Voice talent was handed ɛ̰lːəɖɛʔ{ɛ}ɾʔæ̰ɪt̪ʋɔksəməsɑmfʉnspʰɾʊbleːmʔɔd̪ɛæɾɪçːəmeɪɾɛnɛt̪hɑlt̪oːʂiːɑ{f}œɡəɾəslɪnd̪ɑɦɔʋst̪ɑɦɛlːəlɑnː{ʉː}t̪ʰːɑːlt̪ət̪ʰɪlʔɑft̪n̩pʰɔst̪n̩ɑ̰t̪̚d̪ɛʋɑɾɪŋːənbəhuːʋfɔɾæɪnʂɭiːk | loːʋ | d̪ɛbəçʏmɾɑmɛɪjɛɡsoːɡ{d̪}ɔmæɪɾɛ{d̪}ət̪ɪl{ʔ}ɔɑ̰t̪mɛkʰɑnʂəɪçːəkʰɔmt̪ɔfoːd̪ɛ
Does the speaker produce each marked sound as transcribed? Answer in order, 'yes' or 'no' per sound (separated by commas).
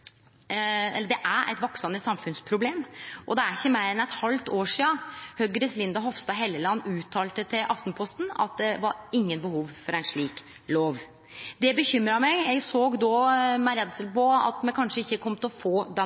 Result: no, no, yes, yes, yes, no